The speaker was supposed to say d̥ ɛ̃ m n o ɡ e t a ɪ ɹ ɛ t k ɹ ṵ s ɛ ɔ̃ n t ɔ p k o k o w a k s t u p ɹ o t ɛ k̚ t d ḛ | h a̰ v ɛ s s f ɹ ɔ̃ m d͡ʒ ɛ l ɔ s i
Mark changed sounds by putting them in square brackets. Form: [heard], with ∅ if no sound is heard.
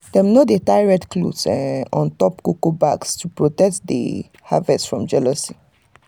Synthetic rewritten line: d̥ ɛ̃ m n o [d] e t a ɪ ɹ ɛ t k [l] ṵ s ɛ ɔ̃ n t ɔ p k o k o [b] a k s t u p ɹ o t ɛ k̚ t d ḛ | h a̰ v ɛ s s f ɹ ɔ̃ m d͡ʒ ɛ l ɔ s i